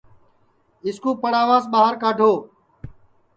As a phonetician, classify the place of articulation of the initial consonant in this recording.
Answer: alveolar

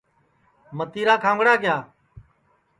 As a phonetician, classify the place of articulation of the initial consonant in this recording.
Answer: labial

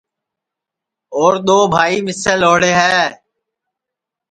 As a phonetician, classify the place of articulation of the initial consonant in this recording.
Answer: alveolar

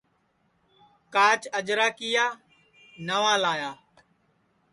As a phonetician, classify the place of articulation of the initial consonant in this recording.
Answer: velar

